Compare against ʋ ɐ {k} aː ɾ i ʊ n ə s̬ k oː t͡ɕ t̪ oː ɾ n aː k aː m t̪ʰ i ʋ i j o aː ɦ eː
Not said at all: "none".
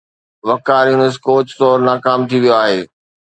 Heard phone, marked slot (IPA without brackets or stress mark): k